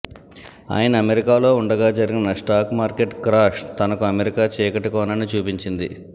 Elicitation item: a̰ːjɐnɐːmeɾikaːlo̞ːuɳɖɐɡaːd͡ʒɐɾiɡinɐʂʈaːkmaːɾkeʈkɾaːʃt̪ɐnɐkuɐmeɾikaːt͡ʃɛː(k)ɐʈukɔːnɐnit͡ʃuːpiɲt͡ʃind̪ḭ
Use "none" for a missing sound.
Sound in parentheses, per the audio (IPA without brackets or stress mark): k